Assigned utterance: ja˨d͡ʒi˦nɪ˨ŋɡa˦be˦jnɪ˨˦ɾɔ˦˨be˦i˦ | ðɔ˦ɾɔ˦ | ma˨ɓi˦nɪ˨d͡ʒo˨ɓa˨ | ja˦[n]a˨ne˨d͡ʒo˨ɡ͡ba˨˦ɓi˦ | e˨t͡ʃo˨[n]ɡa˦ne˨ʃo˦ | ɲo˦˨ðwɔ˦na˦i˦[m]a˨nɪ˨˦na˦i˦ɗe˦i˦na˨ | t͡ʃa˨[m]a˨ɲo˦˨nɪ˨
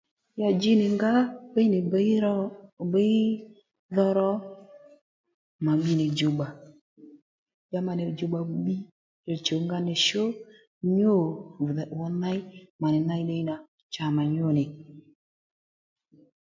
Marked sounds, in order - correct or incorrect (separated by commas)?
incorrect, incorrect, correct, correct